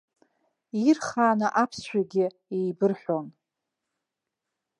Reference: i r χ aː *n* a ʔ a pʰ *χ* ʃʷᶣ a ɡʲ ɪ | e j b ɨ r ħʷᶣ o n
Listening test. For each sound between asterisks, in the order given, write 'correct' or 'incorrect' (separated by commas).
correct, incorrect